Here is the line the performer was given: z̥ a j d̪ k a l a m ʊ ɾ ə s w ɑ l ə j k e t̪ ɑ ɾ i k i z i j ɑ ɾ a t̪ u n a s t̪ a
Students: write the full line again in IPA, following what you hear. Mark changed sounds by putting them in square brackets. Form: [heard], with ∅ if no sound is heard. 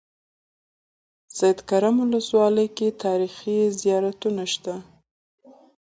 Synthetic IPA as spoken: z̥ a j d̪ k a [ɾ] a m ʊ [l] ə s w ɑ l ə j k e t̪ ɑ ɾ i [x] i z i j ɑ ɾ a t̪ u n a [ʃ] t̪ a